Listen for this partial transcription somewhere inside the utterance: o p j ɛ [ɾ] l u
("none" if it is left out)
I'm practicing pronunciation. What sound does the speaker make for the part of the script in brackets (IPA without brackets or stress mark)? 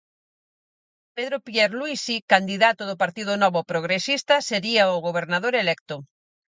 ɾ